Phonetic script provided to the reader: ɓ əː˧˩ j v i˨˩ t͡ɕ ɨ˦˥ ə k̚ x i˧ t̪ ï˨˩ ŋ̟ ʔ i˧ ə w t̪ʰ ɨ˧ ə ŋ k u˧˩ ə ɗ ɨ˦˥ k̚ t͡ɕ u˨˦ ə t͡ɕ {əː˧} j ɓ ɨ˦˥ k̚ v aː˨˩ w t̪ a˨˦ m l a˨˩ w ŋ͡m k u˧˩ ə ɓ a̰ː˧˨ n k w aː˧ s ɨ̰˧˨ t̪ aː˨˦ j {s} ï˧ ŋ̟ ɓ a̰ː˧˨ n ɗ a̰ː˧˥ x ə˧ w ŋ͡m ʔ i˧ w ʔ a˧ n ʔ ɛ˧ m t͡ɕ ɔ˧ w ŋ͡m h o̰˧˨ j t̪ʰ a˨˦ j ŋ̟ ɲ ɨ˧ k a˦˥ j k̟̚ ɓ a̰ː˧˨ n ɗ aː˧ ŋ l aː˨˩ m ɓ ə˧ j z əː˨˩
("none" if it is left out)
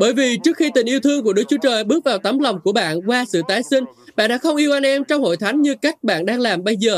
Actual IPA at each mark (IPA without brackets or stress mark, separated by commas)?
əː˨˩, s